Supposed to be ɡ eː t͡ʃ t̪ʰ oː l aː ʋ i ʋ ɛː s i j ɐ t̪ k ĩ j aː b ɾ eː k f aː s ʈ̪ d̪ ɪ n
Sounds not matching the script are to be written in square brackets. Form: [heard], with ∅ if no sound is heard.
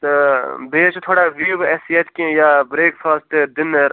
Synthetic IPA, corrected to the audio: [b] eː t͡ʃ t̪ʰ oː [ɽ] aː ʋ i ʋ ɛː s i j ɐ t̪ k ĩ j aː b ɾ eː k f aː s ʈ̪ d̪ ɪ n